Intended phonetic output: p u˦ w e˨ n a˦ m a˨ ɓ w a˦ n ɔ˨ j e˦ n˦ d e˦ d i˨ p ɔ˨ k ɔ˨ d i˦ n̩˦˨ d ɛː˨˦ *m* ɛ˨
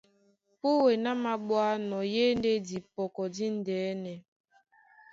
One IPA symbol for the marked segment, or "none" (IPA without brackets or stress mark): n